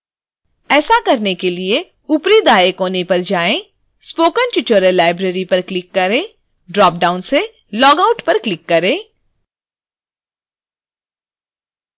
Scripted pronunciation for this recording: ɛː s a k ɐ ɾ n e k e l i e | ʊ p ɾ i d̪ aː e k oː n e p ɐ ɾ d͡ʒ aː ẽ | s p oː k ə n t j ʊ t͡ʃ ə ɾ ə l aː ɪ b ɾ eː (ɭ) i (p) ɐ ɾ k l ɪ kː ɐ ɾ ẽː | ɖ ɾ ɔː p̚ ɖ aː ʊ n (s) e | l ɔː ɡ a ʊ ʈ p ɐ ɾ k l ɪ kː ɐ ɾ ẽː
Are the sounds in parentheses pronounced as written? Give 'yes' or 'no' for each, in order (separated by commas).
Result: no, yes, yes